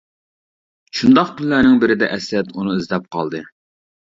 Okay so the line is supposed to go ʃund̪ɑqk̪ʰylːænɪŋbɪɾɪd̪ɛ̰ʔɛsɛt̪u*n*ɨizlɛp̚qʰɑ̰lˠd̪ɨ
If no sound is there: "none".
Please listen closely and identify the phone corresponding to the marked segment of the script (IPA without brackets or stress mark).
n